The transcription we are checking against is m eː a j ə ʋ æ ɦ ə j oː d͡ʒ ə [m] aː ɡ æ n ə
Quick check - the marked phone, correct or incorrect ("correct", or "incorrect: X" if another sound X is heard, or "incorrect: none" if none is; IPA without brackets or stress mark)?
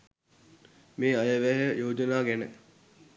incorrect: n